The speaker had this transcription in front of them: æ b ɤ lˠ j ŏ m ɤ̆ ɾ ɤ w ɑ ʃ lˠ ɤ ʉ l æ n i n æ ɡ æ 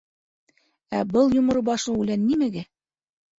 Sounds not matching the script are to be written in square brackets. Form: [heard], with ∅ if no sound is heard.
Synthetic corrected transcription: æ b ɤ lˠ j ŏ m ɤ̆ ɾ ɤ [b] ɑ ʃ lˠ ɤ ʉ l æ [nː] i [m] æ ɡ æ